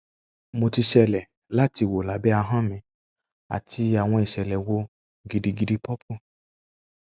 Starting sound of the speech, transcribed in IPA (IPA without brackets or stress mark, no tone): m